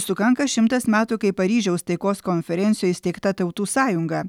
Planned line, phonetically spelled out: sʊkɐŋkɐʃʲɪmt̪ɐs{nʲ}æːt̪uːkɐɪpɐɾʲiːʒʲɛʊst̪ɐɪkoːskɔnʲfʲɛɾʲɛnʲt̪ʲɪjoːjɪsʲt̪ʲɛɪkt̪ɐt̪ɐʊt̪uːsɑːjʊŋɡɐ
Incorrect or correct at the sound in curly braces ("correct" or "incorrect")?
incorrect